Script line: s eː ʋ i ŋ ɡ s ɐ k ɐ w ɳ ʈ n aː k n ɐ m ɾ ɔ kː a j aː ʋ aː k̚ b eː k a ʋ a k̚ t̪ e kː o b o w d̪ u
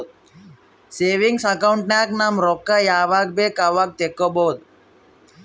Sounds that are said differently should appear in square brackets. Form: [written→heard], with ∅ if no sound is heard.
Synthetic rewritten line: s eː ʋ i ŋ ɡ s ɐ k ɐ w ɳ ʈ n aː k n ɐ m ɾ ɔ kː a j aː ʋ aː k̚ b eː k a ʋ a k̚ t̪ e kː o b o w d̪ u

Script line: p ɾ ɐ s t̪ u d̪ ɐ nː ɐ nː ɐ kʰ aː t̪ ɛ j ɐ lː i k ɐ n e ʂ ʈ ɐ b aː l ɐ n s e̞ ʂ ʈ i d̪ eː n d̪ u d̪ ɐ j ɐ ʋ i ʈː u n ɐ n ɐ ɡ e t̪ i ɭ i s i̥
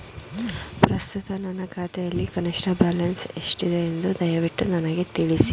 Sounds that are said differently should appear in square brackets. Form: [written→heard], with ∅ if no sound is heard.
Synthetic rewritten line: p ɾ ɐ s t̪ u [d̪→t̪] ɐ [nː→n] ɐ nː ɐ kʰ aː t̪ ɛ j ɐ lː i k ɐ n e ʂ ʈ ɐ b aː l ɐ n s e̞ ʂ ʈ i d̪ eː n d̪ u d̪ ɐ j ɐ ʋ i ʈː u n ɐ n ɐ ɡ e t̪ i ɭ i s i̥

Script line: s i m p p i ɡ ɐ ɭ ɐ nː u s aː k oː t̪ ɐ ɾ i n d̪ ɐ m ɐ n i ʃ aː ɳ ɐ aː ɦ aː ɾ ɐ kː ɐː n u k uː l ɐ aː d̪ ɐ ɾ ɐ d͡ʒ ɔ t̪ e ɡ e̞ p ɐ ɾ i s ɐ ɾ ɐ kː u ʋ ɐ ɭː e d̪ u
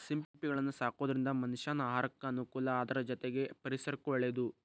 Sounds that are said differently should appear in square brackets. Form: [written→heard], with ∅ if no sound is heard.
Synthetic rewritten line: s i m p p i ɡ ɐ ɭ ɐ nː u s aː k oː [t̪→d̪] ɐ ɾ i n d̪ ɐ m ɐ n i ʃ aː [ɳ→n] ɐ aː ɦ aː ɾ ɐ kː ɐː n u k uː l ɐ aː d̪ ɐ ɾ ɐ d͡ʒ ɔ t̪ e ɡ e̞ p ɐ ɾ i s ɐ ɾ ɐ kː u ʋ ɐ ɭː e d̪ u

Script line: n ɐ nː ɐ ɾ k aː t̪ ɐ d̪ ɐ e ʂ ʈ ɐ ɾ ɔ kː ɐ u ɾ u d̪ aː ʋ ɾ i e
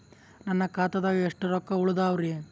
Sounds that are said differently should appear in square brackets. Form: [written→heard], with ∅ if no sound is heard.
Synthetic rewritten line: n ɐ nː ɐ [ɾ→∅] k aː t̪ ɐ d̪ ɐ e ʂ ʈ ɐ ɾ ɔ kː ɐ u [ɾ→ɭ] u d̪ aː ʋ ɾ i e

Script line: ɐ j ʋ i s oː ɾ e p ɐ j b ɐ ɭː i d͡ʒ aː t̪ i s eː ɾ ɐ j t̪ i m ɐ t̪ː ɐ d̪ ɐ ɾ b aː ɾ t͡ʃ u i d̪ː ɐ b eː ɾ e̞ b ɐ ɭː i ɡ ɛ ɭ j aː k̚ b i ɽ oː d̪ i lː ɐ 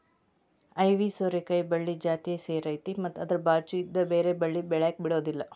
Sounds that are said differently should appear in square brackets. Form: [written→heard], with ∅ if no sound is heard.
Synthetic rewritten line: ɐ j ʋ i s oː ɾ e [p→k] ɐ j b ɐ ɭː i d͡ʒ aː t̪ i s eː ɾ ɐ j t̪ i m ɐ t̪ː ɐ d̪ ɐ ɾ b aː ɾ t͡ʃ u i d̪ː ɐ b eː ɾ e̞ b ɐ ɭː i [ɡ→b] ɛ ɭ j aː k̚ b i ɽ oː d̪ i lː ɐ

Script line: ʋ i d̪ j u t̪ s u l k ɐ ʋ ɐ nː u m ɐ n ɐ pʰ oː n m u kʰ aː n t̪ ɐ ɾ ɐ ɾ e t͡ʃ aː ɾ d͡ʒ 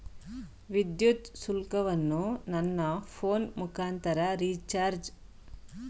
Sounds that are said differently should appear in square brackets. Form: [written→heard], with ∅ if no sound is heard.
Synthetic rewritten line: ʋ i d̪ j u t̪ s u l k ɐ ʋ ɐ nː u [m→n] ɐ [n→nː] ɐ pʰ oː n m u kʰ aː n t̪ ɐ ɾ ɐ ɾ [e→i] t͡ʃ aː ɾ d͡ʒ

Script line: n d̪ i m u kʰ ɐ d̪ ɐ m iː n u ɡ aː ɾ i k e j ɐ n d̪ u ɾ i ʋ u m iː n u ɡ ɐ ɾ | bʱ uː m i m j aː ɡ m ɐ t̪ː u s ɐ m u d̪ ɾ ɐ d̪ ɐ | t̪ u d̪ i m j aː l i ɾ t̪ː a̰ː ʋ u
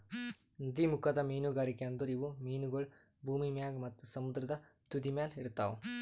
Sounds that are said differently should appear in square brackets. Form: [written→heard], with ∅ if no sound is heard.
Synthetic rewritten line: n d̪ i m u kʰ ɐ d̪ ɐ m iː n u ɡ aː ɾ i k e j ɐ n d̪ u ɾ i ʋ u m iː n u ɡ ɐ [ɾ→ɭ] | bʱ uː m i m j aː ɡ m ɐ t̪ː u s ɐ m u d̪ ɾ ɐ d̪ ɐ | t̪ u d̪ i m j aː l i ɾ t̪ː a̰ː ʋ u

